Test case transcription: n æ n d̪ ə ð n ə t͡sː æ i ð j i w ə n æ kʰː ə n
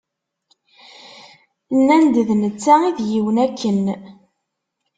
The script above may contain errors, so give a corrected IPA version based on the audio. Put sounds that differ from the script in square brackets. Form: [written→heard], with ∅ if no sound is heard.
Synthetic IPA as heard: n æ n d̪ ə ð n ə t͡sː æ i ð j i w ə n æ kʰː ə n